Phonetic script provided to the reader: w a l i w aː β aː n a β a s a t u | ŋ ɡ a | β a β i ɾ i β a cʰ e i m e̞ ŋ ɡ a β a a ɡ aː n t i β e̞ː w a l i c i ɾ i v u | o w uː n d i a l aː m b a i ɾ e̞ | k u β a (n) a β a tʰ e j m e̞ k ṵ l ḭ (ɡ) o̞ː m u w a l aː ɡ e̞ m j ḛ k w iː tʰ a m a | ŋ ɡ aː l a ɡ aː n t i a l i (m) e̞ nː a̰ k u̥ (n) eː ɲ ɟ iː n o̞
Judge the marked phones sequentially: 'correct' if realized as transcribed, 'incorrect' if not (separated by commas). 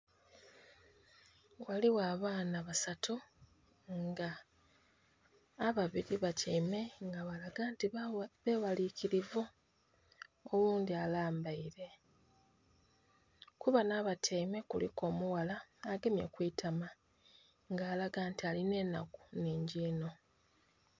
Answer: correct, incorrect, incorrect, correct